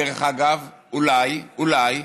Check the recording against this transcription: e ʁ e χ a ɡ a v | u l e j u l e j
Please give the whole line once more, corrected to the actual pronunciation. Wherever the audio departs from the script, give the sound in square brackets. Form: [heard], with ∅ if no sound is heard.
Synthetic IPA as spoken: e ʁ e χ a ɡ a v | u l [a] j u l [a] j